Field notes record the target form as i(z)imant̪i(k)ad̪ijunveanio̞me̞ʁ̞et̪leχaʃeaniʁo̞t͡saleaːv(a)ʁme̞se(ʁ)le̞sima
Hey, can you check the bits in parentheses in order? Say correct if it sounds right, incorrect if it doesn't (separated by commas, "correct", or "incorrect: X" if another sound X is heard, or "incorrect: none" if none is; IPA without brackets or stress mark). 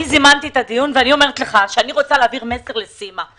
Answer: correct, incorrect: t, incorrect: i, correct